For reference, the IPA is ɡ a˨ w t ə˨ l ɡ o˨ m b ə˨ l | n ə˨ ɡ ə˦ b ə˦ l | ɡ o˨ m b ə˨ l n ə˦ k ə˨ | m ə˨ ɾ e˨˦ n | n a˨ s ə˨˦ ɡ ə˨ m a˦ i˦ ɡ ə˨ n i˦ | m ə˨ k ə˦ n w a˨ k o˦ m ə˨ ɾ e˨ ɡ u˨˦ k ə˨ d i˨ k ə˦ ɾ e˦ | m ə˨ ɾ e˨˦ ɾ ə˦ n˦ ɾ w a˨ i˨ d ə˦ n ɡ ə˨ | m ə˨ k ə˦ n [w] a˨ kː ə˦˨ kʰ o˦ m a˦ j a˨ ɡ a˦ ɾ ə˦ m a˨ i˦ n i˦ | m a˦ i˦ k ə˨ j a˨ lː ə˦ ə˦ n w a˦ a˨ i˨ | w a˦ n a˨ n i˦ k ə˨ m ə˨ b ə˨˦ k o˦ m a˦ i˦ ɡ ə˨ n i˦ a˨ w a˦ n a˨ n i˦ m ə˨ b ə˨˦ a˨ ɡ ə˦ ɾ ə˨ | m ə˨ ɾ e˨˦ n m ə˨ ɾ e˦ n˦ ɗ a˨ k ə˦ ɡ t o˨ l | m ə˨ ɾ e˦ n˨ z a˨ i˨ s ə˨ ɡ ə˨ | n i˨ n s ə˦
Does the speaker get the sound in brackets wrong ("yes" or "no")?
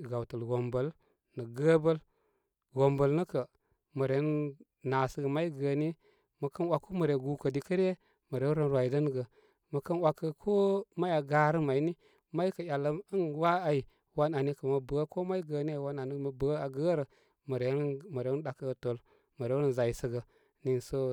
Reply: no